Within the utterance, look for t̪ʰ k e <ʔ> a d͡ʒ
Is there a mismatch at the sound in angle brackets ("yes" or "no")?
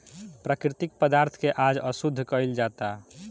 no